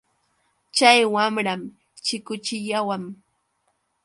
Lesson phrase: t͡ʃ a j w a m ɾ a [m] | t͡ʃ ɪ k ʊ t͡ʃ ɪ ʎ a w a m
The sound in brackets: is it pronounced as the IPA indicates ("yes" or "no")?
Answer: yes